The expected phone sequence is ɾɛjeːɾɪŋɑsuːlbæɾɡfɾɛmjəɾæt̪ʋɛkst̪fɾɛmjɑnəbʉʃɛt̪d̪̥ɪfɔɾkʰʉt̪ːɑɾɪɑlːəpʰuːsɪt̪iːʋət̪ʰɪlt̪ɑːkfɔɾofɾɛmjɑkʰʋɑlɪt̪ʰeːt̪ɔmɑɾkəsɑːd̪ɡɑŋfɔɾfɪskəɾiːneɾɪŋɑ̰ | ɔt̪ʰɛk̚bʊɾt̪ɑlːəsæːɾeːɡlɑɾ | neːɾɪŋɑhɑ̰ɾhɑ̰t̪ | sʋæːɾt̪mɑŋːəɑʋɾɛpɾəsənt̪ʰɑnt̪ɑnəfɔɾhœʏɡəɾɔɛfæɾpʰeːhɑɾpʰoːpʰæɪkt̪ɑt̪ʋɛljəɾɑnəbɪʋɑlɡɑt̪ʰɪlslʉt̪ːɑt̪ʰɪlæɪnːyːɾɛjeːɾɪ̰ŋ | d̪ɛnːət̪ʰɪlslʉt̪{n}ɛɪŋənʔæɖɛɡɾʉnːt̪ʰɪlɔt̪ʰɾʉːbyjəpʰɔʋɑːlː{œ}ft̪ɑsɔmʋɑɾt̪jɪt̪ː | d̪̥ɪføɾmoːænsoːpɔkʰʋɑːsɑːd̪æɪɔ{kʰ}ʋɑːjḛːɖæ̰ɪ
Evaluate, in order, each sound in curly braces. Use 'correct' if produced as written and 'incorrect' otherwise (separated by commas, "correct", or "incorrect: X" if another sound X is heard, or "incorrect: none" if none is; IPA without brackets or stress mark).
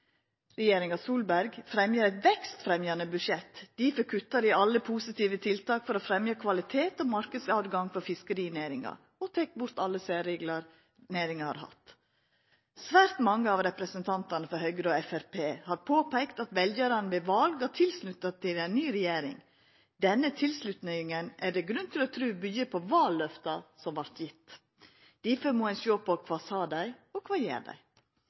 correct, correct, correct